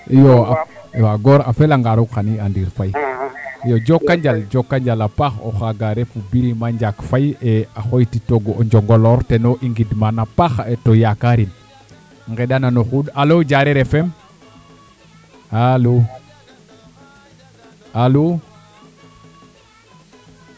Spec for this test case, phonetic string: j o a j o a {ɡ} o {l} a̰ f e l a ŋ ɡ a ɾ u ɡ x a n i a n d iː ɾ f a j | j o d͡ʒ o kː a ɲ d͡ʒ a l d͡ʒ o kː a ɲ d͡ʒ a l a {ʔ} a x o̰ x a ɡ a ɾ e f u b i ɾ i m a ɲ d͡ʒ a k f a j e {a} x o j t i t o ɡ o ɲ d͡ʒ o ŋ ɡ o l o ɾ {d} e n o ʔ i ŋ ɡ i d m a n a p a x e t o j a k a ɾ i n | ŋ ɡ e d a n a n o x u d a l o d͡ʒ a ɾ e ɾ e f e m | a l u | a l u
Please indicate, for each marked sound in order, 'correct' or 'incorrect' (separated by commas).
correct, incorrect, incorrect, correct, incorrect